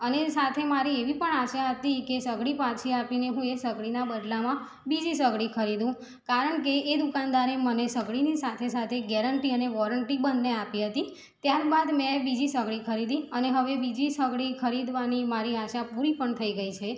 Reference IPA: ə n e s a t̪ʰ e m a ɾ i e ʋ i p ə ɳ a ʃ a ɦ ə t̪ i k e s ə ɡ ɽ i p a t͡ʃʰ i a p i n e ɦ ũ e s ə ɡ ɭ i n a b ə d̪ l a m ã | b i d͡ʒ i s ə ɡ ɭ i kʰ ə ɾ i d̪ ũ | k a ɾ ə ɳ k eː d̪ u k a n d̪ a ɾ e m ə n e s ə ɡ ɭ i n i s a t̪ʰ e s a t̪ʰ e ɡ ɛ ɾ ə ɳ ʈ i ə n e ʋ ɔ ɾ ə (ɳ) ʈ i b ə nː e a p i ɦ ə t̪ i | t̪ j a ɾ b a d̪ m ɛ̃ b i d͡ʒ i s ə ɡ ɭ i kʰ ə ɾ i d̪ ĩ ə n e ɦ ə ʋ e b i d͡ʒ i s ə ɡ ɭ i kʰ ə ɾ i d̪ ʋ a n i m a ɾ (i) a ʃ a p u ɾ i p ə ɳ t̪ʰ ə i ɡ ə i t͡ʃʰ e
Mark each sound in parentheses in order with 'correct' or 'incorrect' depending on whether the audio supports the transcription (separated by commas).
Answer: correct, correct